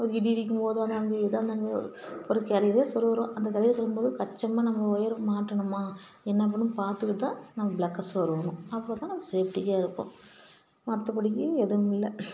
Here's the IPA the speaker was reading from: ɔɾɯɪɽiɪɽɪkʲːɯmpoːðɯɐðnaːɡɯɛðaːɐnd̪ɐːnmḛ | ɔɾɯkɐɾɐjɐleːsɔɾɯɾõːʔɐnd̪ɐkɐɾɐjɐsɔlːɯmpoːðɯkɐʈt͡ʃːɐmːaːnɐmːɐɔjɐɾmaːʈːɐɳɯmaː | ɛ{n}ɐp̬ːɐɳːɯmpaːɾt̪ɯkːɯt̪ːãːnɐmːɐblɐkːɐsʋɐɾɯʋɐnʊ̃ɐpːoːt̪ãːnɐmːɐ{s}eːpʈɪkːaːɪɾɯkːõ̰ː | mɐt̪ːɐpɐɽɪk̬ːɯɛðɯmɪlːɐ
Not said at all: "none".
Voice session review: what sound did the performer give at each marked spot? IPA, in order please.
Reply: nː, s

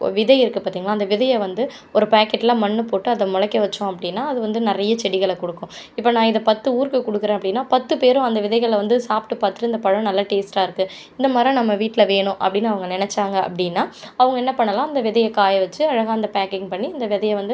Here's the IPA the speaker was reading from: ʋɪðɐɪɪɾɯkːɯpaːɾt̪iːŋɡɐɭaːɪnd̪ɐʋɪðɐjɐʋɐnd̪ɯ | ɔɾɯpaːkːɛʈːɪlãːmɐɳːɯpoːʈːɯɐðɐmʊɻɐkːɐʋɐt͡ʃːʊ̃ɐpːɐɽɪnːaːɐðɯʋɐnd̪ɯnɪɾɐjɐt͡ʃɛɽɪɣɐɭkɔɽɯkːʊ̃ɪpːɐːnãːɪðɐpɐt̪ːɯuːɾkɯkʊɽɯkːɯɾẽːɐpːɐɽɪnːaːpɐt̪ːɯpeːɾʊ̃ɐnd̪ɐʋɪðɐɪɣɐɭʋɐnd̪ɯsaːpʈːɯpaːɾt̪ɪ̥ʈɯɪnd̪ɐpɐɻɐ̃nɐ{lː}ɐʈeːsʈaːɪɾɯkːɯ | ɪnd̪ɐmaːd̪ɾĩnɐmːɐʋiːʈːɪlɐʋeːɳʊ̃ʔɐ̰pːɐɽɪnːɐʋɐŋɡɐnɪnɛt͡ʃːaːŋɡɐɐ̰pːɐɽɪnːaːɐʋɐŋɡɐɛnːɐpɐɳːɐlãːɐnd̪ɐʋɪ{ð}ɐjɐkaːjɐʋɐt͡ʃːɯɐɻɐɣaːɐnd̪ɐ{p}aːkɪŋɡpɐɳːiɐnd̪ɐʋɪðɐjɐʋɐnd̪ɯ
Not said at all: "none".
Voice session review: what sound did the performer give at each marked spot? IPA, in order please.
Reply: lː, ð, p

